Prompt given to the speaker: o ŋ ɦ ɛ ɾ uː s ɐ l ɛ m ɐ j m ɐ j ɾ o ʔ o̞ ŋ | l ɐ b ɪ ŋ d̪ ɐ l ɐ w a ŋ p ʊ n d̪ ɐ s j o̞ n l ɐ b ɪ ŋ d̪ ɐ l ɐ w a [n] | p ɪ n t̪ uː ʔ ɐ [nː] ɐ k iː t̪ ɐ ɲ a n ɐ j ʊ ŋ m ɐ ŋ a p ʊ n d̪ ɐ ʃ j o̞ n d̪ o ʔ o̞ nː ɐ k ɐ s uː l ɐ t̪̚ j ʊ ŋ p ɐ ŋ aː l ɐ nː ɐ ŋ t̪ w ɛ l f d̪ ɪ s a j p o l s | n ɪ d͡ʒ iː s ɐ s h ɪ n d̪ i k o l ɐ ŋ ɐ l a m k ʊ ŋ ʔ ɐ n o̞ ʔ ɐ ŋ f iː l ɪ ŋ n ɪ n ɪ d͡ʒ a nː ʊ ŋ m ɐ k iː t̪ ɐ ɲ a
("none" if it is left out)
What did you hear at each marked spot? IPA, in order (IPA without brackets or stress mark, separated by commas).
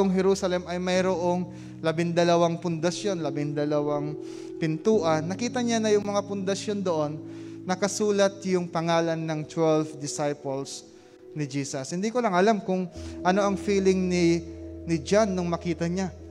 ŋ, nː